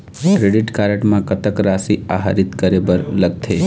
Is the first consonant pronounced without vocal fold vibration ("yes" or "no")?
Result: yes